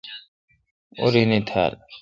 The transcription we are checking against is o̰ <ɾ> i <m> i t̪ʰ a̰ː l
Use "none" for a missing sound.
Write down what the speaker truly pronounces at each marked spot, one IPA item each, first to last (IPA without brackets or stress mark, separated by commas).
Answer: ɾ, n